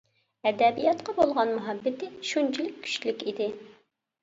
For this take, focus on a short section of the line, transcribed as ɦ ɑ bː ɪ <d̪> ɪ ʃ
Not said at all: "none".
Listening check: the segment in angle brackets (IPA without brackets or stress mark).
t̪